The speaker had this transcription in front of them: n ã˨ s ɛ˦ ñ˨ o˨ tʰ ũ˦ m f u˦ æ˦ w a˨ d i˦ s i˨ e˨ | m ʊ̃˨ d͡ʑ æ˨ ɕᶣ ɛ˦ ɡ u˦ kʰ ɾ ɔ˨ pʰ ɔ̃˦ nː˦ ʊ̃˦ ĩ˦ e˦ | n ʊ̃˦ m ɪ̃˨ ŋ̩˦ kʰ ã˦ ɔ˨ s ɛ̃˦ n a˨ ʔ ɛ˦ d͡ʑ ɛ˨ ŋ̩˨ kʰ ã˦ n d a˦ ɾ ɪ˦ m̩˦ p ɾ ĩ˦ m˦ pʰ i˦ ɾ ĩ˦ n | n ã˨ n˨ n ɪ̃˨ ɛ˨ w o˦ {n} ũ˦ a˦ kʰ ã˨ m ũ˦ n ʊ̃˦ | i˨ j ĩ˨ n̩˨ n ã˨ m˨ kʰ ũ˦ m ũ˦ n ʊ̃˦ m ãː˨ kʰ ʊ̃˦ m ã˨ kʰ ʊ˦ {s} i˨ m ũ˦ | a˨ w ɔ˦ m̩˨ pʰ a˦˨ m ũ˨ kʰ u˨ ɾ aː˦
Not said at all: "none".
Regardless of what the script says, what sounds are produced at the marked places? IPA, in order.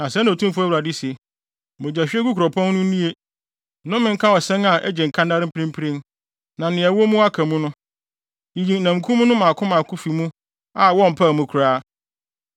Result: m, f

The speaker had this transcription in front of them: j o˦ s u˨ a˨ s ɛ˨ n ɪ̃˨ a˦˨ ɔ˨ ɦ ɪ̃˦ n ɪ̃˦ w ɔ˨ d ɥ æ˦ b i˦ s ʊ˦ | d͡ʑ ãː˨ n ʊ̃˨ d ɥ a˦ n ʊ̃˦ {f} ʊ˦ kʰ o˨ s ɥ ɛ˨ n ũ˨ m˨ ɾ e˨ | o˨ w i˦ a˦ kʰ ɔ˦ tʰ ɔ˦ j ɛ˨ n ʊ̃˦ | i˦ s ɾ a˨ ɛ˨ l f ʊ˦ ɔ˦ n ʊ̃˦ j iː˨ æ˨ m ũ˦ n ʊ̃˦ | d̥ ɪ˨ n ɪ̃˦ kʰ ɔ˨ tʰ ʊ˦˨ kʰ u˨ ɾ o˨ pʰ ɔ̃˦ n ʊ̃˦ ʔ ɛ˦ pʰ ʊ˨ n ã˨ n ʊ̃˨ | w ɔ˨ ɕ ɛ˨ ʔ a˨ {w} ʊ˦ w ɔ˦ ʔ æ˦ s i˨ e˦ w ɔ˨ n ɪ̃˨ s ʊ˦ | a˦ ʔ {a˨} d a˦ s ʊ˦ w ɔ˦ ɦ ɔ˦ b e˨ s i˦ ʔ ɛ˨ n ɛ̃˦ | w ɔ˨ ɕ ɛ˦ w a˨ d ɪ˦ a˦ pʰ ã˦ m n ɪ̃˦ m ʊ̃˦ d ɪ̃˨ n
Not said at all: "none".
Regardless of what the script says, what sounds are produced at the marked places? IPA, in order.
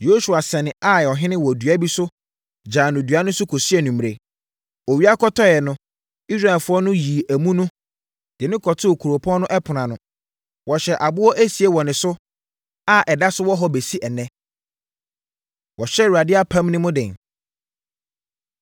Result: s, b, ɛ˨

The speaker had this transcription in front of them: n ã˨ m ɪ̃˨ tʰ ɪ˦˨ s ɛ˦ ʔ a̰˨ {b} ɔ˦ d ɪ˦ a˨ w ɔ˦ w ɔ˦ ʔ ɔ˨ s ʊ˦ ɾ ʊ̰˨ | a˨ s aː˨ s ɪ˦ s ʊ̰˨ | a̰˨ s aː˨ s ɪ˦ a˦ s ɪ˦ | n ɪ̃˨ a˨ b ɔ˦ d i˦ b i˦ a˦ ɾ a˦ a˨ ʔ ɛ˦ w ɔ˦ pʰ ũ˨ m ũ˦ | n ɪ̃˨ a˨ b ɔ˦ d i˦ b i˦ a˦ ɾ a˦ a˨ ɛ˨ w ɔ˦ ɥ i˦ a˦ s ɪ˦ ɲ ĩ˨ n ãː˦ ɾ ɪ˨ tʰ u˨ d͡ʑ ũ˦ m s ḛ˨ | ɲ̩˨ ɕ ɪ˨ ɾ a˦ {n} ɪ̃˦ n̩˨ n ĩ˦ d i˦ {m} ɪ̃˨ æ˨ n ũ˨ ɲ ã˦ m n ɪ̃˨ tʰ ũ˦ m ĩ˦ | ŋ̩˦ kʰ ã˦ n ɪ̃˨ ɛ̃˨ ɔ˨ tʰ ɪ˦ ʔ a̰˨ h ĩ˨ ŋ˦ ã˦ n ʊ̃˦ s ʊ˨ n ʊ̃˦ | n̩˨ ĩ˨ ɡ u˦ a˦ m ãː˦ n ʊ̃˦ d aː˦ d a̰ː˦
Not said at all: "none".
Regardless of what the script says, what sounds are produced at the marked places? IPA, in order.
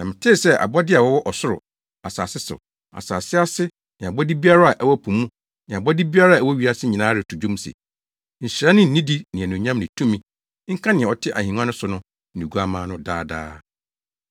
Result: b, n, n

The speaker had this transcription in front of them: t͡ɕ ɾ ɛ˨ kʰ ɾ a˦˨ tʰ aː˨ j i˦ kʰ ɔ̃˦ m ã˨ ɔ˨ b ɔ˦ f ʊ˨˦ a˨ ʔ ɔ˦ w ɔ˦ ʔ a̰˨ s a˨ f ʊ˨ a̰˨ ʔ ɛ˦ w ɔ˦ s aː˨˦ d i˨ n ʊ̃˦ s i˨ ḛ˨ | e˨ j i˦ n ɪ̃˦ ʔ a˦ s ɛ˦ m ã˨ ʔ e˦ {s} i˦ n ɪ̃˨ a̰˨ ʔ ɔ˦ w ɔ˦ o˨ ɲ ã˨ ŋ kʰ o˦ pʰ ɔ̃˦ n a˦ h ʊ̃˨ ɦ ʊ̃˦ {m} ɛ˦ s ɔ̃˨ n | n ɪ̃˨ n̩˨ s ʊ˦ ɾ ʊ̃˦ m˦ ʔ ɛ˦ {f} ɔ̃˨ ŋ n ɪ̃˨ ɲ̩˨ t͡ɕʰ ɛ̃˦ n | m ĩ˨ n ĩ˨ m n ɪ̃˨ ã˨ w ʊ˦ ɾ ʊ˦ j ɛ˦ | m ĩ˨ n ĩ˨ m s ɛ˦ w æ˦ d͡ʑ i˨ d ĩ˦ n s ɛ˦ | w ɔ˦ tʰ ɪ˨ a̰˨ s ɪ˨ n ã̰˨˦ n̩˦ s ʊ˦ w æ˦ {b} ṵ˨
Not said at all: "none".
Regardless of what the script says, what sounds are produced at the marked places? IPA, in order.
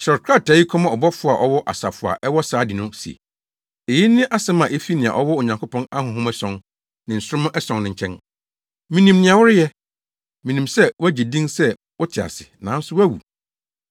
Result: f, m, s, w

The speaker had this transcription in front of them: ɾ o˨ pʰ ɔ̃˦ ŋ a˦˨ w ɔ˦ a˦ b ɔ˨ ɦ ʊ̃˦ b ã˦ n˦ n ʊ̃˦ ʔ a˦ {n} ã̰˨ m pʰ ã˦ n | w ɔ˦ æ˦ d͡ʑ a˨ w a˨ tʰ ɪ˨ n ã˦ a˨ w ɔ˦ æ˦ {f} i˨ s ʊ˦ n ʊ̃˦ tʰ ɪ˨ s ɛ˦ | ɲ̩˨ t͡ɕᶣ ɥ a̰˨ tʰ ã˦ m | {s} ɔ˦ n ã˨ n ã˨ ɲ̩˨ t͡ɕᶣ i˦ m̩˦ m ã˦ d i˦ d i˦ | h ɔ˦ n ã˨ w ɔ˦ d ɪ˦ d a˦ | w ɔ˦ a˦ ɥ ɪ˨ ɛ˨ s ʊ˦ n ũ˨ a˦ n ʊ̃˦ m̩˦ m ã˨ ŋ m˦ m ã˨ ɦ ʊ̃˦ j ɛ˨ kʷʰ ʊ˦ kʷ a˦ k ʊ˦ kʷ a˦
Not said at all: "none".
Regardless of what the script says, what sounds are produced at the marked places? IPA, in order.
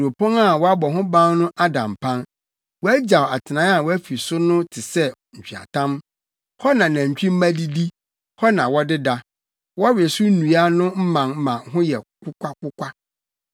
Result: d, f, h

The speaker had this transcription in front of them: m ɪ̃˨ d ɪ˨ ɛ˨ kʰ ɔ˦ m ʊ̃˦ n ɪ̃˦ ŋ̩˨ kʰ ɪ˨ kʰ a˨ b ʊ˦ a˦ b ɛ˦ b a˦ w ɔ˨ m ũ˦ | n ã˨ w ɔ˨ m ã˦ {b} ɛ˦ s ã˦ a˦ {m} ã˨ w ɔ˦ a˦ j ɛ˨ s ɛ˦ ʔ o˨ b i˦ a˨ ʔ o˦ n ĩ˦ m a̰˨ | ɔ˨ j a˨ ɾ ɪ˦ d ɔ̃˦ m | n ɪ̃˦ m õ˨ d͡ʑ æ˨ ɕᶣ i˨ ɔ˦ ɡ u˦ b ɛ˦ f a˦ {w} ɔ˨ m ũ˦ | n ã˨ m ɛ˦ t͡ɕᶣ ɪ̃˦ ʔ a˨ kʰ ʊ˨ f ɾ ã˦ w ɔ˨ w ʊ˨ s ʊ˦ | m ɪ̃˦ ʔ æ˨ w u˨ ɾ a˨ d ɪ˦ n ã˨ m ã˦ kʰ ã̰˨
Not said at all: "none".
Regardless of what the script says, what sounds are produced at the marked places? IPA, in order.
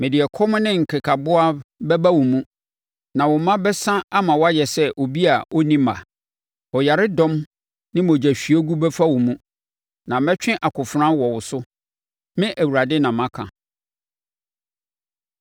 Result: b, m, w

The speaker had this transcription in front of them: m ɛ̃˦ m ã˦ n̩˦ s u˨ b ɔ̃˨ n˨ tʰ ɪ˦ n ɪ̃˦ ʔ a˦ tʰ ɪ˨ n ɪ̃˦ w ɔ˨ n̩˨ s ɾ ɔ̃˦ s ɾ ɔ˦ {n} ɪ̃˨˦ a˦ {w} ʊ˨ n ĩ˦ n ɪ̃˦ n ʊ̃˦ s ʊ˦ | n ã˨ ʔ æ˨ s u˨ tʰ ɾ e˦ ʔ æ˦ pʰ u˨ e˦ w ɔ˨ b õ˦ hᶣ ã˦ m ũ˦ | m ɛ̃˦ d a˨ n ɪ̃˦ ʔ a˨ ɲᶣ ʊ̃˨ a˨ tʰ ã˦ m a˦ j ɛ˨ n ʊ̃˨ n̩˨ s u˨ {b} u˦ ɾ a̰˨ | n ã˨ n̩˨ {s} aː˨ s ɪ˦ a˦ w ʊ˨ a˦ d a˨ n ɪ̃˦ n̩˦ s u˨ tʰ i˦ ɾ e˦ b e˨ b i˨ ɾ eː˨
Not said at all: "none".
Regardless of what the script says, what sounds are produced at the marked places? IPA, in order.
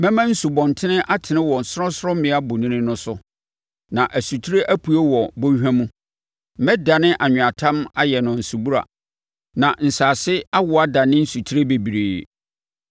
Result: m, b, b, s

